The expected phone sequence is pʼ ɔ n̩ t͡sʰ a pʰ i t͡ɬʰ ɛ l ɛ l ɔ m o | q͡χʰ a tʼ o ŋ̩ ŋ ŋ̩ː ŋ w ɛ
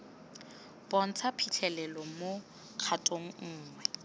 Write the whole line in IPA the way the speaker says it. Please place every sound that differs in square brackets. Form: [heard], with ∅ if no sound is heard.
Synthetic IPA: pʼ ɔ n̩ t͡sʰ a pʰ i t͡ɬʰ ɛ l ɛ l ɔ m o | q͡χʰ a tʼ o ŋ̩ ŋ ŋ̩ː ŋ w ɛ